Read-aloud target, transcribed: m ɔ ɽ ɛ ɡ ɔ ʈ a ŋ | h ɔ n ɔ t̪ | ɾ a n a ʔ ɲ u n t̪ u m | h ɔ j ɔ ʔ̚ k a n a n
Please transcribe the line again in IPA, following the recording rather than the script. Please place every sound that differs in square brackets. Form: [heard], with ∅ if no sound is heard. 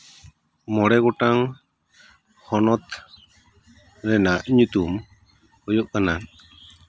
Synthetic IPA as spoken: m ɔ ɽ ɛ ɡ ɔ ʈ a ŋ | h ɔ n ɔ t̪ | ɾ [ɛ] n a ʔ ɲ u [∅] t̪ u m | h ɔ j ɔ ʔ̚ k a n a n